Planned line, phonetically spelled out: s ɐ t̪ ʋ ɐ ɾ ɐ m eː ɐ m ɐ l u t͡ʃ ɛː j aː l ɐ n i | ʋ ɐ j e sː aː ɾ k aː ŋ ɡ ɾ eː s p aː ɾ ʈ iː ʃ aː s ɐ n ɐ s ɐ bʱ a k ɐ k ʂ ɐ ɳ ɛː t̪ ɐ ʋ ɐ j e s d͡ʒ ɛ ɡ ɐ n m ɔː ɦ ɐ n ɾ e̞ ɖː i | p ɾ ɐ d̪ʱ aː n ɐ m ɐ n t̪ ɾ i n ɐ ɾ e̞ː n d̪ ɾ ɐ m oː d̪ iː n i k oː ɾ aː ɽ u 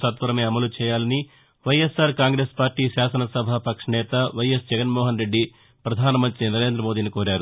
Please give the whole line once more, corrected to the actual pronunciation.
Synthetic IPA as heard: s ɐ t̪ ʋ ɐ ɾ ɐ m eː ɐ m ɐ l u t͡ʃ ɛː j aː l ɐ n i | ʋ ɐ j e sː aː ɾ k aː ŋ ɡ ɾ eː s p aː ɾ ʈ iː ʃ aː s ɐ n ɐ s ɐ bʱ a p ɐ k ʂ ɐ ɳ ɛː t̪ ɐ ʋ ɐ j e s d͡ʒ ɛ ɡ ɐ n m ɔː ɦ ɐ n ɾ e̞ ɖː i | p ɾ ɐ d̪ʱ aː n ɐ m ɐ n t̪ ɾ i n ɐ ɾ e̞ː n d̪ ɾ ɐ m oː d̪ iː n i k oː ɾ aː ɾ u

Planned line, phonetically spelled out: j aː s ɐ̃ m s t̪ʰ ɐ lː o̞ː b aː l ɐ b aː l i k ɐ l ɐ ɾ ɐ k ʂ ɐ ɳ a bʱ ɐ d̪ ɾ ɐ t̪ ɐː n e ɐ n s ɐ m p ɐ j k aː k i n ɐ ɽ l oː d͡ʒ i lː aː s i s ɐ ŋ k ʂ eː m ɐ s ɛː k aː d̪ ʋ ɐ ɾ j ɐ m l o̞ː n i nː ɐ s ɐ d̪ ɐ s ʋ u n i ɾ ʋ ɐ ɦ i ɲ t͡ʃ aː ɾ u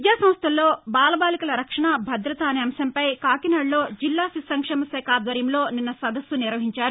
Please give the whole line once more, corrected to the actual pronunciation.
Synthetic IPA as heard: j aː s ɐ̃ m s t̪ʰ ɐ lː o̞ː b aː l ɐ b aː l i k ɐ l ɐ ɾ ɐ k ʂ ɐ ɳ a bʱ ɐ d̪ ɾ ɐ t̪ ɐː n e ɐ m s ɐ m p ɐ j k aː k i n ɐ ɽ l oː d͡ʒ i lː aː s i s ɐ ŋ k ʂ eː m ɐ s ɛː k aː d̪ ʋ ɐ ɾ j ɐ m l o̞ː n i nː ɐ s ɐ d̪ ɐ s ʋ u n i ɾ ʋ ɐ ɦ i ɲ t͡ʃ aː ɾ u

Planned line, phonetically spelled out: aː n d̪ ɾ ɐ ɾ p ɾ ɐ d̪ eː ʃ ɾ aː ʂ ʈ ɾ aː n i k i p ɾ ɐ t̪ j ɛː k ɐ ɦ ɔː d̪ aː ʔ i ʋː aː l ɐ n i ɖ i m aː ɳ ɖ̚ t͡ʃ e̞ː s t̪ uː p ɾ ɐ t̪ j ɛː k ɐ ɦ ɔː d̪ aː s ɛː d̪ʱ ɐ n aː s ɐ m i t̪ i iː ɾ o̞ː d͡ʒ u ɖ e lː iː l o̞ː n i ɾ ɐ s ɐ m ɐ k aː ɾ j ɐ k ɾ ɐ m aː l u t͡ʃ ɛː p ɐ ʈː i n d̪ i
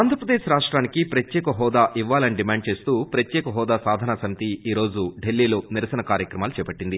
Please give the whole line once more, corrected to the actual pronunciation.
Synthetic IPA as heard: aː n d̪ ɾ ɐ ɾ p ɾ ɐ d̪ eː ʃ ɾ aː ʂ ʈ ɾ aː n i k i p ɾ ɐ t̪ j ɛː k ɐ ɦ ɔː d̪ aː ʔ i ʋː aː l ɐ n i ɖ i m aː ɳ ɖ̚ t͡ʃ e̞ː s t̪ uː p ɾ ɐ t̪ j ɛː k ɐ ɦ ɔː d̪ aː s aː d̪ʱ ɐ n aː s ɐ m i t̪ i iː ɾ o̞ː d͡ʒ u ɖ e lː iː l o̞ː n i ɾ ɐ s ɐ n ɐ k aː ɾ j ɐ k ɾ ɐ m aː l u t͡ʃ ɛː p ɐ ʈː i n d̪ i

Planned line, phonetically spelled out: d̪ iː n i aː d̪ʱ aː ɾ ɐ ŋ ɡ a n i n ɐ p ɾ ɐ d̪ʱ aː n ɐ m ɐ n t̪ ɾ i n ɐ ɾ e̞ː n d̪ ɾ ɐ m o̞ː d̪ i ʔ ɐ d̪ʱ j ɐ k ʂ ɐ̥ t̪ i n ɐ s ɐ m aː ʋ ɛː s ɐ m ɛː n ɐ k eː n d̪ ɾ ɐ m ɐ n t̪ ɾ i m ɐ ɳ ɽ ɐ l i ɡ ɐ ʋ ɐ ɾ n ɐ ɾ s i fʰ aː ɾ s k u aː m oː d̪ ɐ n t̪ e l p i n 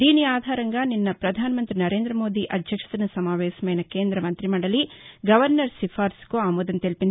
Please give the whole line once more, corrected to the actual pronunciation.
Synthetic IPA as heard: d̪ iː n i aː d̪ʱ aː ɾ ɐ ŋ ɡ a n i nː ɐ p ɾ ɐ d̪ʱ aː n ɐ m ɐ n t̪ ɾ i n ɐ ɾ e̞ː n d̪ ɾ ɐ m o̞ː d̪ i ʔ ɐ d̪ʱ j ɐ k ʂ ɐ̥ t̪ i n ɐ s ɐ m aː ʋ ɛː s ɐ m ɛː n ɐ k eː n d̪ ɾ ɐ m ɐ n t̪ ɾ i m ɐ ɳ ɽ ɐ l i ɡ ɐ ʋ ɐ ɾ n ɐ ɾ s i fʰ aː ɾ s k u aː m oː d̪ ɐ n t̪ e l p i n

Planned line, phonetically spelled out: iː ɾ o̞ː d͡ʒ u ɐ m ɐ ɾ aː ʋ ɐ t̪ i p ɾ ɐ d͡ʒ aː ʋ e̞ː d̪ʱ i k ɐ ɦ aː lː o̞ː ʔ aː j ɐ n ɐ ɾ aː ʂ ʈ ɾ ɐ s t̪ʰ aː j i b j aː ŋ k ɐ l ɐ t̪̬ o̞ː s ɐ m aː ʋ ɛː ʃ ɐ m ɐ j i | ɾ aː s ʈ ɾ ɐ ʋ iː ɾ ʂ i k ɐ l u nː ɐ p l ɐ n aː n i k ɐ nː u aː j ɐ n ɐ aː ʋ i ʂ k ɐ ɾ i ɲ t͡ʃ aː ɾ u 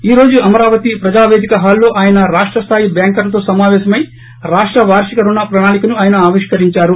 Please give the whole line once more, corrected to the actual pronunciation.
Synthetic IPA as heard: iː ɾ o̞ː d͡ʒ u ɐ m ɐ ɾ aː ʋ ɐ t̪ i p ɾ ɐ d͡ʒ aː ʋ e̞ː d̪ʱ i k ɐ ɦ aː lː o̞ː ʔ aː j ɐ n ɐ ɾ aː ʂ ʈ ɾ ɐ s t̪ʰ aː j i b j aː ŋ k ɐ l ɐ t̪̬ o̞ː s ɐ m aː ʋ ɛː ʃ ɐ m ɐ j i | ɾ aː ʂ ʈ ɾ ɐ ʋ aː ɾ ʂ i k ɐ ɾ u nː ɐ p ɾ ɐ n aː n i k ɐ n u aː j ɐ n ɐ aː ʋ i ʂ k ɐ ɾ i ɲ t͡ʃ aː ɾ u

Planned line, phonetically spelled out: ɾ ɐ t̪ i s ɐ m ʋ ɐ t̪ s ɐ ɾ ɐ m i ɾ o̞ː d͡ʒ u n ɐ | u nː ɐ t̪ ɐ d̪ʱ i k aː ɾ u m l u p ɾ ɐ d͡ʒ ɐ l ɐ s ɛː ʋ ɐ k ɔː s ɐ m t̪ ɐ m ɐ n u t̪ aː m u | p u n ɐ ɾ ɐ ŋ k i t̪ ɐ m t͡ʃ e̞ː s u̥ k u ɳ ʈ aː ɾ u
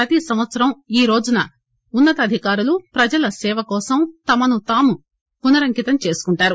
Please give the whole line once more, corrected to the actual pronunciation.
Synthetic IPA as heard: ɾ ɐ t̪ i s ɐ m ʋ ɐ t̪ s ɐ ɾ ɐ m iː ɾ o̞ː d͡ʒ u n ɐ | u nː ɐ t̪ ɐ d̪ʱ i k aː ɾ u l u p ɾ ɐ d͡ʒ ɐ l ɐ s ɛː ʋ ɐ k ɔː s ɐ m t̪ ɐ m ɐ n u t̪ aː m u | p u n ɐ ɾ ɐ ŋ k i t̪ ɐ m t͡ʃ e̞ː s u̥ k u ɳ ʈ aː ɾ u

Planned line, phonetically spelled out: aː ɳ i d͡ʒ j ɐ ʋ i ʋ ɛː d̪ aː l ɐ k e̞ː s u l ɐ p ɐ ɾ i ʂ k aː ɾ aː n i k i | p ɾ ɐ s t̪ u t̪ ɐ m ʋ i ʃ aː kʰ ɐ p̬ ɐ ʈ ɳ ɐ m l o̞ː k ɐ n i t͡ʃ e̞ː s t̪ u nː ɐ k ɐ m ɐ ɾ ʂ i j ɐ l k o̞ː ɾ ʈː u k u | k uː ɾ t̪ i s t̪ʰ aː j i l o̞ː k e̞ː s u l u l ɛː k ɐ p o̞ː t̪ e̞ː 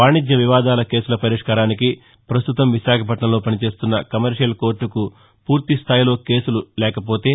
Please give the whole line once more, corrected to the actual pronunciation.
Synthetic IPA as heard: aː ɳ i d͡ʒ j ɐ ʋ i ʋ aː d̪ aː l ɐ k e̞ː s u l ɐ p ɐ ɾ i ʂ k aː ɾ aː n i k i | p ɾ ɐ s t̪ u t̪ ɐ m ʋ i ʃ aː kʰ ɐ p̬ ɐ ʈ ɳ ɐ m l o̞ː p ɐ n i t͡ʃ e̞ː s t̪ u nː ɐ k ɐ m ɐ ɾ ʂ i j ɐ l k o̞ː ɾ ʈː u k u | p uː ɾ t̪ i s t̪ʰ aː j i l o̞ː k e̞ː s u l u l ɛː k ɐ p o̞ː t̪ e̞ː

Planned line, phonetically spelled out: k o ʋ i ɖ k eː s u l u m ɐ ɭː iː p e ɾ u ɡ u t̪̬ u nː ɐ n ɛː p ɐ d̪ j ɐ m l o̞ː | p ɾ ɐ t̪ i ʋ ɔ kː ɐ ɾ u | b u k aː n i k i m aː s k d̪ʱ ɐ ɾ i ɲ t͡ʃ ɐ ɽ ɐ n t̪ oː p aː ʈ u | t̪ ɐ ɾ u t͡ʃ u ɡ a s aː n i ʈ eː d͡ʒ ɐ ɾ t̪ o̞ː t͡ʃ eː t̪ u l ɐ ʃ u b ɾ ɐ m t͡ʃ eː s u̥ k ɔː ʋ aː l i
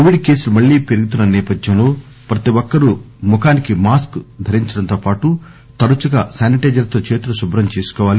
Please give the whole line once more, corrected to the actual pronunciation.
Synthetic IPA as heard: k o ʋ i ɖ k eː s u l u m ɐ ɭː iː p e ɾ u ɡ u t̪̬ u nː ɐ n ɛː p ɐ d̪ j ɐ m l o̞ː | p ɾ ɐ t̪ i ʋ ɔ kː ɐ ɾ u | m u k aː n i k i m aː s k d̪ʱ ɐ ɾ i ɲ t͡ʃ ɐ ɽ ɐ n t̪ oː p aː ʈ u | t̪ ɐ ɾ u t͡ʃ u ɡ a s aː n i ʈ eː d͡ʒ ɐ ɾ t̪ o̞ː t͡ʃ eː t̪ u l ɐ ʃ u b ɾ ɐ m t͡ʃ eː s u̥ k ɔː ʋ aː l i

